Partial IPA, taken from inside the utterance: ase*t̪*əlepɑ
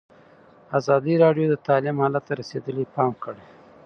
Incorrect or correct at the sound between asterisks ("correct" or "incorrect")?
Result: incorrect